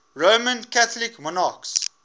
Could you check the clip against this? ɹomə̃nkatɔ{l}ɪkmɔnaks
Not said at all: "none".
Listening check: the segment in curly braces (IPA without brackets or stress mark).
l